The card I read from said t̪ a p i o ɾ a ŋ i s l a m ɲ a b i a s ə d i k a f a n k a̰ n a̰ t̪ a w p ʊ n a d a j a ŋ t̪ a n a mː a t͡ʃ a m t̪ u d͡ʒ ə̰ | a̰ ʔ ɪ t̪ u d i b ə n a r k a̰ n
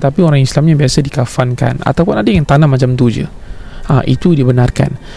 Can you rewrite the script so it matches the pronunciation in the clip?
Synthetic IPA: t̪ a p i o ɾ a ŋ i s l a m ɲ a b i a s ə d i k a f a n k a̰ n a̰ t̪ a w p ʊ n a d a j a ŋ t̪ a n a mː a t͡ʃ a m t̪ u d͡ʒ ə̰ | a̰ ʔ i t̪ u d i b ə n a r k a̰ n